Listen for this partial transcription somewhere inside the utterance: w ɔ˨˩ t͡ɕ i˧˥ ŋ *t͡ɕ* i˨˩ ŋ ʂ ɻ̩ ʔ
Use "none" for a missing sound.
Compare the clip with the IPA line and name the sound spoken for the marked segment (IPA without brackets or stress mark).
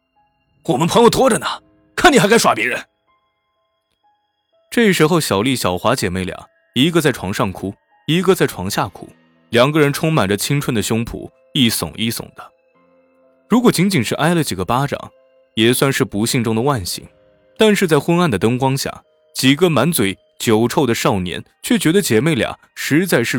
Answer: t͡ɕ